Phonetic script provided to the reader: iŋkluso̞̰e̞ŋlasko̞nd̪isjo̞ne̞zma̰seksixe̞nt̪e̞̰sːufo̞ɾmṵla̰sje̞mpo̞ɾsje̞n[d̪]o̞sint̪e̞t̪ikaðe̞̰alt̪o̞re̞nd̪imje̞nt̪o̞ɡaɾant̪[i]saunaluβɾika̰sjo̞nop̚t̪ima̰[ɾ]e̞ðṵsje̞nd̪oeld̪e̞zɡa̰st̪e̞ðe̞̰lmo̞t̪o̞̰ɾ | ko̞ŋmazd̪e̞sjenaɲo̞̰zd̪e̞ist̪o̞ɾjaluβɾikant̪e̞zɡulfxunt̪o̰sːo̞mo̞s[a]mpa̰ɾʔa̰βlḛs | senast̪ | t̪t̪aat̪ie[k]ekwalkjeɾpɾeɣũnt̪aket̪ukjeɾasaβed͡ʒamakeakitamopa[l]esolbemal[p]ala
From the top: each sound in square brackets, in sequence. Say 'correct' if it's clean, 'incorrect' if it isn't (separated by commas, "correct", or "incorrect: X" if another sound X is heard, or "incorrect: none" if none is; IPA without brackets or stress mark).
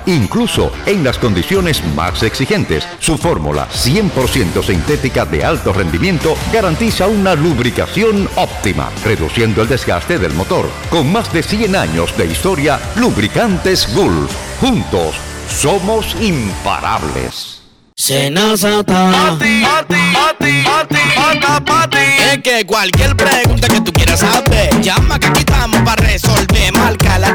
incorrect: t̪, correct, incorrect: r, incorrect: i, correct, incorrect: r, incorrect: k